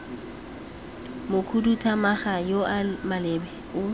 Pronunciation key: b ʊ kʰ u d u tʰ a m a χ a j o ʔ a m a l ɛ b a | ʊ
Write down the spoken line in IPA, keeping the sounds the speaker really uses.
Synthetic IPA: m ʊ kʰ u d u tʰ a m a χ a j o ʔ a m a l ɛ b ɛ | ʊ